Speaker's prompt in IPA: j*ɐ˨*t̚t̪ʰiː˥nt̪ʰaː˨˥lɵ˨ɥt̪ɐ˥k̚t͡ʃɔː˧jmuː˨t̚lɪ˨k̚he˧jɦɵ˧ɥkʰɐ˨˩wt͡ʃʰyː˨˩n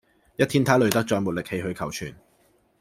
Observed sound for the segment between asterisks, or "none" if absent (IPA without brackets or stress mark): ɐ˥